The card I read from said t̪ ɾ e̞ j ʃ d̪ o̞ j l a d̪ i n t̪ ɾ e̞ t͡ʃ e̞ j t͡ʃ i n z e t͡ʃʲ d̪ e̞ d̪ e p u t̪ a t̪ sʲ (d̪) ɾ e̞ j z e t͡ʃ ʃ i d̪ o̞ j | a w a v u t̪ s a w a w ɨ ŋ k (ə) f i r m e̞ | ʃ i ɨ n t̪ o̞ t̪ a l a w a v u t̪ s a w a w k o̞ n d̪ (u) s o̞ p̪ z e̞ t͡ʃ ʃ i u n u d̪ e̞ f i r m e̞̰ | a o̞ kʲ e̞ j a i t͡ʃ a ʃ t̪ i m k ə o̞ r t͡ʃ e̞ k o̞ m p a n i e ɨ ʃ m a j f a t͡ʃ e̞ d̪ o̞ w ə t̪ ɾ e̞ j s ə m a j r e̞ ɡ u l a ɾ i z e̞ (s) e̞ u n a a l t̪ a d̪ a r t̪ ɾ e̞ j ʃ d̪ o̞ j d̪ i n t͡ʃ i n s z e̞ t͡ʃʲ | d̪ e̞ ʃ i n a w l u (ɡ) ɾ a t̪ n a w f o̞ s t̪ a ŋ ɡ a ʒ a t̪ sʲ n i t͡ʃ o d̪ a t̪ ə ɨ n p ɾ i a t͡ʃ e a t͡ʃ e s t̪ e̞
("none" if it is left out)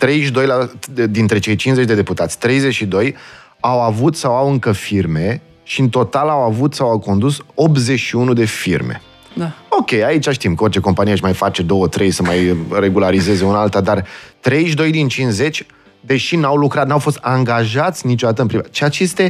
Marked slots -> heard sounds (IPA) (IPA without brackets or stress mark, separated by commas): t̪, ə, u, z, k